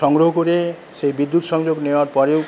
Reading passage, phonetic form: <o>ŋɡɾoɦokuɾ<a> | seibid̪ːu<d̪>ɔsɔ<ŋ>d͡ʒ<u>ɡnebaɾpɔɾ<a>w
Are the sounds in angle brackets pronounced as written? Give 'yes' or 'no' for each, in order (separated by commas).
no, no, no, yes, no, no